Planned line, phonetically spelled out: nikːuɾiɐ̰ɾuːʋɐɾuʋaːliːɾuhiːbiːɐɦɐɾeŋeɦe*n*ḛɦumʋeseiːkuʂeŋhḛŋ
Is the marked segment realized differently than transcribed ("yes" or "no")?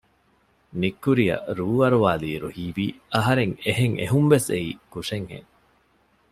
yes